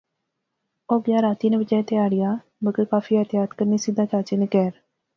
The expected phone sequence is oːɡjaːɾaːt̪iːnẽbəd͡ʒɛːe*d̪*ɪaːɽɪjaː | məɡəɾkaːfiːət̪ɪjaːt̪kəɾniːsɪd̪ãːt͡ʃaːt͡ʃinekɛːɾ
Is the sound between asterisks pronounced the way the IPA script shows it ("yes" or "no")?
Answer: no